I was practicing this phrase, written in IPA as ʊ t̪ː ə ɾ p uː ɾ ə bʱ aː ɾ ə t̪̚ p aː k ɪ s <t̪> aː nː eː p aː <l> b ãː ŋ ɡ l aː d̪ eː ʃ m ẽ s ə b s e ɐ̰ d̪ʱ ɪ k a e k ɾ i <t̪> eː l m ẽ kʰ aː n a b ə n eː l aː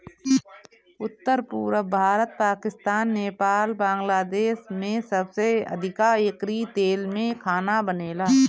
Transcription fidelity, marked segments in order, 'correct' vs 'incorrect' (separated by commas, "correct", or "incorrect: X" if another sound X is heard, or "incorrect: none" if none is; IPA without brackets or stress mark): correct, correct, correct